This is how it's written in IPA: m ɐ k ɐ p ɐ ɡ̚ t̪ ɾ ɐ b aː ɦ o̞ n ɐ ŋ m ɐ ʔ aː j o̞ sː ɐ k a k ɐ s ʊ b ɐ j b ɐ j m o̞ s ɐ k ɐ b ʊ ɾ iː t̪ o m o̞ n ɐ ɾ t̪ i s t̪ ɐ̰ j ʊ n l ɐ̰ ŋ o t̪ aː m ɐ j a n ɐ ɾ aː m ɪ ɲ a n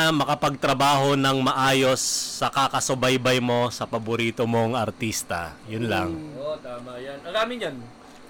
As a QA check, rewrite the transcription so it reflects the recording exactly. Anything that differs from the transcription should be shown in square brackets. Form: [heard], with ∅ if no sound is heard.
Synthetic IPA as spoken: m ɐ k ɐ p ɐ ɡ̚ t̪ ɾ ɐ b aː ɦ o̞ n ɐ ŋ m ɐ ʔ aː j o̞ sː ɐ k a k ɐ s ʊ b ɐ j b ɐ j m o̞ s ɐ [p] ɐ b ʊ ɾ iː t̪ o m o̞ [ŋ] ɐ ɾ t̪ i s t̪ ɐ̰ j ʊ n l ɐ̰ ŋ o t̪ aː m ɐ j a n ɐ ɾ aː m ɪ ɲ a n